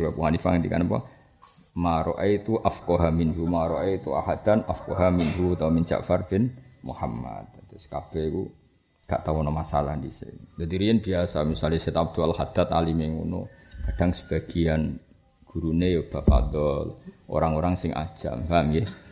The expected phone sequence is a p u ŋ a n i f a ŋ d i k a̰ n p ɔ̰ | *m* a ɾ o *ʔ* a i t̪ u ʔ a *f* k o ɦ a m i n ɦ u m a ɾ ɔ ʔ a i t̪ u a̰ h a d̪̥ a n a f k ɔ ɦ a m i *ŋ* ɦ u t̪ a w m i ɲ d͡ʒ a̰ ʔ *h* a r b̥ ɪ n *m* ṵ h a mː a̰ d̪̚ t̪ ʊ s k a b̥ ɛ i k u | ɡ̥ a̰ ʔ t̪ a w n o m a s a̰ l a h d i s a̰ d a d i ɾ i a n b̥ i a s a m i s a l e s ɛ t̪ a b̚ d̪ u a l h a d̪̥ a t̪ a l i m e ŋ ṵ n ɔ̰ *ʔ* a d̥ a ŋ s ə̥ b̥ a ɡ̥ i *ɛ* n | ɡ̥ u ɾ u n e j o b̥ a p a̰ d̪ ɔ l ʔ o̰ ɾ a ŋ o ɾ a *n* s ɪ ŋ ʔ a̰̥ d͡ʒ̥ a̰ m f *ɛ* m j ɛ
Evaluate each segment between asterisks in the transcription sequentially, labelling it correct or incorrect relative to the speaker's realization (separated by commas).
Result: correct, correct, correct, incorrect, incorrect, correct, incorrect, incorrect, incorrect, incorrect